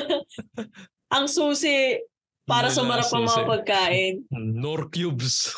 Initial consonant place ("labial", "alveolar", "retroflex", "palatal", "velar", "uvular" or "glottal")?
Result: glottal